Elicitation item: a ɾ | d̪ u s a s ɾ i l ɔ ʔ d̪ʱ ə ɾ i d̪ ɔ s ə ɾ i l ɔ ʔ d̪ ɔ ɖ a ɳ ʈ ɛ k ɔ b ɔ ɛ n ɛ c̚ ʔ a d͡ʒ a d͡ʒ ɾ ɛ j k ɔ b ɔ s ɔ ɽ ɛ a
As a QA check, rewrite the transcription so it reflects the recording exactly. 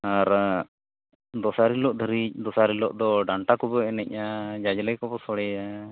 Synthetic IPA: a ɾ | d̪ ɔ s a ɾ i l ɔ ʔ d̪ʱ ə ɾ i d̪ ɔ s a ɾ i l ɔ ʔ d̪ ɔ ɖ a ɳ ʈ a k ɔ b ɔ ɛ n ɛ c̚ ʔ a d͡ʒ a d͡ʒ l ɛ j k ɔ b ɔ s ɔ ɽ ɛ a